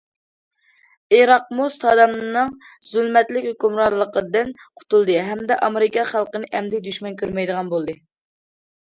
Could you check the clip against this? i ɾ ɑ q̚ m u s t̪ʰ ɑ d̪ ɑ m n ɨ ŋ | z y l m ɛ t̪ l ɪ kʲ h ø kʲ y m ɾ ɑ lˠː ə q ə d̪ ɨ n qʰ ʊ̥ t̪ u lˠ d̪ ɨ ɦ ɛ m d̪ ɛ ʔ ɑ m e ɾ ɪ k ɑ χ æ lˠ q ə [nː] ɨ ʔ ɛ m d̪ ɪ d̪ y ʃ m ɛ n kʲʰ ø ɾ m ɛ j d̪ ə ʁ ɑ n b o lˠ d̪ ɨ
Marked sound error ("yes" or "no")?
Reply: yes